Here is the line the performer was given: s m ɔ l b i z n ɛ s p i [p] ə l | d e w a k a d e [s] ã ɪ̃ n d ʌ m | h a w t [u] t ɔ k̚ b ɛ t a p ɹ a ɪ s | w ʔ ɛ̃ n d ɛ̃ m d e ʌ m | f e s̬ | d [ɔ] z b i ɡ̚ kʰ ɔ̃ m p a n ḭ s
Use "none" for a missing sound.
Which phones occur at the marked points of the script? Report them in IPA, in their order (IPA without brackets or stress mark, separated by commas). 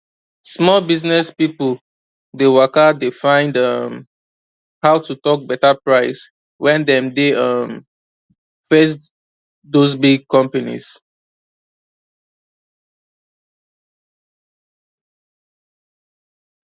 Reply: p, f, u, o